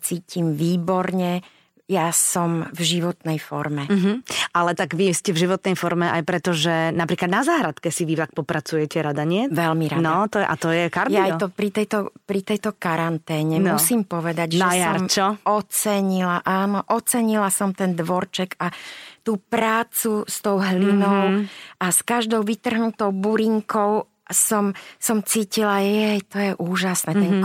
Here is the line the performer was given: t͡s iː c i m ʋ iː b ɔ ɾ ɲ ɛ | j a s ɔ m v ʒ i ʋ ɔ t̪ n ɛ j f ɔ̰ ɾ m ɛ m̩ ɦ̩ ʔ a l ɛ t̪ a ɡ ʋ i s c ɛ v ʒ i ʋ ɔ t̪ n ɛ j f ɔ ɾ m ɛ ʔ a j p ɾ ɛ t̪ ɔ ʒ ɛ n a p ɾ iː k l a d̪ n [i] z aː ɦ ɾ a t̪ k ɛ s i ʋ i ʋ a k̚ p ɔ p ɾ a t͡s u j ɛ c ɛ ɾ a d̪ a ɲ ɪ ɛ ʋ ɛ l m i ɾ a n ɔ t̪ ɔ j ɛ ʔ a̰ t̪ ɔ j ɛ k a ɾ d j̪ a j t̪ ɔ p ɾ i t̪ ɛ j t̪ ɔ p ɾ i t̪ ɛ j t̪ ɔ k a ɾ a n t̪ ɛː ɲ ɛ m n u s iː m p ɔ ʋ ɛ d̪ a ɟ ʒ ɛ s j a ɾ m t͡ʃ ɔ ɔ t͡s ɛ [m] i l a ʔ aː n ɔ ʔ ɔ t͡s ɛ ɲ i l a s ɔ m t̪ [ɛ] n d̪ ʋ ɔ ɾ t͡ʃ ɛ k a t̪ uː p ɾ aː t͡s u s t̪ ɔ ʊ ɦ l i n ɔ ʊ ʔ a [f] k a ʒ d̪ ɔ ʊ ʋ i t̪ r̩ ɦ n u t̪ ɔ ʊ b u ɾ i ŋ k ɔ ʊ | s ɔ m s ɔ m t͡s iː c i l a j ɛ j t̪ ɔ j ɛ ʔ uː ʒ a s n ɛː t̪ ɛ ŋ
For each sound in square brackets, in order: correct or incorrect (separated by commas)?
incorrect, incorrect, correct, incorrect